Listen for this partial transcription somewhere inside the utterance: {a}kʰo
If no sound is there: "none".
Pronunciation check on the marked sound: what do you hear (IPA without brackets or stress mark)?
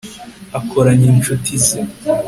a